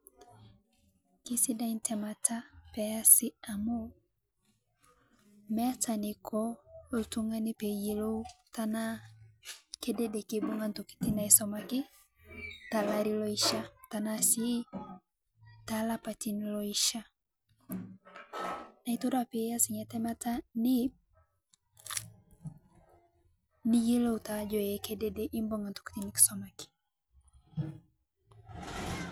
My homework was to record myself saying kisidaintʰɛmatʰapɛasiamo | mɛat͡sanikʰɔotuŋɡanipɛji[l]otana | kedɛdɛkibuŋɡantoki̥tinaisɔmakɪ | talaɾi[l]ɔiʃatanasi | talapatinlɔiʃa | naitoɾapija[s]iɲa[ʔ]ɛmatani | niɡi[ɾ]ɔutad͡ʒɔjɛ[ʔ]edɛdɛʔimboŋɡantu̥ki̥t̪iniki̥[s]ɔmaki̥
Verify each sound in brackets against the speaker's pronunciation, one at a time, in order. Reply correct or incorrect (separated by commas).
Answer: correct, correct, correct, incorrect, incorrect, incorrect, correct